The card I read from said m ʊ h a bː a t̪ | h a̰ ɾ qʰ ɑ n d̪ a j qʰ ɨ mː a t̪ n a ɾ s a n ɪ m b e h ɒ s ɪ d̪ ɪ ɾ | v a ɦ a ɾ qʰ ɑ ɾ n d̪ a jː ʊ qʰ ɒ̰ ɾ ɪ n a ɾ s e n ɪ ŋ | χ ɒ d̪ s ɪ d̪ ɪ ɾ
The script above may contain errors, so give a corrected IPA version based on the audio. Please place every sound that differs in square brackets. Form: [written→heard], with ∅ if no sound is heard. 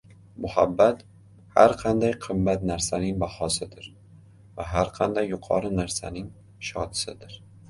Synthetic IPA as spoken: m ʊ h a bː a t̪ | h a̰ ɾ qʰ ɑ n d̪ a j qʰ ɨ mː a t̪ n a ɾ s a n ɪ [m→ŋ] b [e→a] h ɒ s ɪ d̪ ɪ ɾ | v a ɦ a ɾ qʰ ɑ [ɾ→∅] n d̪ a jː ʊ qʰ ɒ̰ ɾ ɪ n a ɾ s [e→a] n ɪ ŋ | [χ→ʃ] ɒ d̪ s ɪ d̪ ɪ ɾ